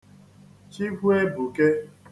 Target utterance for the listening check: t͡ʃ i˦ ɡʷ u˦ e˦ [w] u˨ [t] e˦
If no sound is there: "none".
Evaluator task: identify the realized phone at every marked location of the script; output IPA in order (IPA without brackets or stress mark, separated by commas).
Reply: b, k